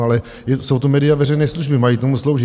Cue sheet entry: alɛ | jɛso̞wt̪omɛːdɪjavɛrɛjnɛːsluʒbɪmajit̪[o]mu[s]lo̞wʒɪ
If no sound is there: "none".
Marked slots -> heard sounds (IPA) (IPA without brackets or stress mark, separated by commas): o, s